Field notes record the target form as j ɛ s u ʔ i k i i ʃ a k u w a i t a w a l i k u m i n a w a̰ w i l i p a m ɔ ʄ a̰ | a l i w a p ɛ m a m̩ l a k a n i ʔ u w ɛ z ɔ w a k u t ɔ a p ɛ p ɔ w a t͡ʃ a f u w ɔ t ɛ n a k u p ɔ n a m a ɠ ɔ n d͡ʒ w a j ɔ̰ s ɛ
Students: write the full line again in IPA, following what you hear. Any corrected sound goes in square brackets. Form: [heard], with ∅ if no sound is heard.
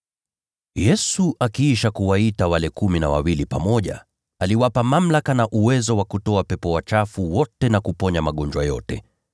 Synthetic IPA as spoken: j ɛ s u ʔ [a] k i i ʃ a k u w a i t a w a l [ɛ] k u m i n a w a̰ w i l i p a m ɔ ʄ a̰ | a l i w a p [a] m a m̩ l a k a n [a] ʔ u w ɛ z ɔ w a k u t ɔ a p ɛ p ɔ w a t͡ʃ a f u w ɔ t ɛ n a k u p ɔ [ɲ] a m a ɠ ɔ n d͡ʒ w a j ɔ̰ [t] ɛ